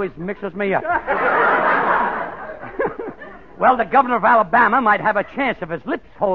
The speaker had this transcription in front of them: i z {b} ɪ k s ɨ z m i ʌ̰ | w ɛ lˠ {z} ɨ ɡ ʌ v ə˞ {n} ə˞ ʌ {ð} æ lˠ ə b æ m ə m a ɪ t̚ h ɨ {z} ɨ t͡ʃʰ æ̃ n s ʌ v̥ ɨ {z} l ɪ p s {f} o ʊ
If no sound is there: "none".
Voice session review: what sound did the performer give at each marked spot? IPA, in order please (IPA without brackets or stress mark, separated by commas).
m, ð, n, v, v, z, h